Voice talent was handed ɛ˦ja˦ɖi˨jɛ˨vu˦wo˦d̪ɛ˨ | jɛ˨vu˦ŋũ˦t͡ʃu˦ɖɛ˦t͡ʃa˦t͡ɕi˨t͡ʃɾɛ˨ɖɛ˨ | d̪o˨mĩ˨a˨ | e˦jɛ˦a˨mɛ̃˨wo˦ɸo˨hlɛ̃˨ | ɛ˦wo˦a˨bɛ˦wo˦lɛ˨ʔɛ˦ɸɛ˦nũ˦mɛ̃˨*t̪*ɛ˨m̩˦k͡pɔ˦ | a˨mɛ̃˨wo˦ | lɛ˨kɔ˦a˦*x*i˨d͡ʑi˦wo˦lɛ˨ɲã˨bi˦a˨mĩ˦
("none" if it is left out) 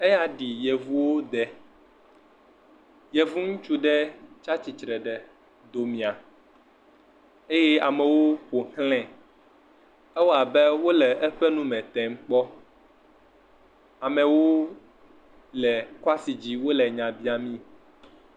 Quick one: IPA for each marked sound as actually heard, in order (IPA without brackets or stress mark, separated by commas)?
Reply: t̪, s